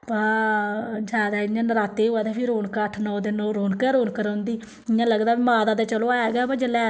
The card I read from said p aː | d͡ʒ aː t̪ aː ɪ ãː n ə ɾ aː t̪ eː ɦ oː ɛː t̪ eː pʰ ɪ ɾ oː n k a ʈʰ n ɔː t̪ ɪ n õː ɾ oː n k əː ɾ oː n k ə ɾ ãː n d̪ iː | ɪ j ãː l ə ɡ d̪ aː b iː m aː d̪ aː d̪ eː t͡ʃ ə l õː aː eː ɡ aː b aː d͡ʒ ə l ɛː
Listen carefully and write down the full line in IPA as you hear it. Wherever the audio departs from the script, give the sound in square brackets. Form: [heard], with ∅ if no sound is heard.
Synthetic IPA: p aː | d͡ʒ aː [d̪] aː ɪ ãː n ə ɾ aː t̪ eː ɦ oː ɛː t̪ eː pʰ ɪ ɾ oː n k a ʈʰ n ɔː [d̪] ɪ n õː ɾ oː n k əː ɾ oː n k ə ɾ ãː n d̪ iː | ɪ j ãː l ə ɡ d̪ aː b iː m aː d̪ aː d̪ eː t͡ʃ ə l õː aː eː ɡ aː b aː d͡ʒ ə l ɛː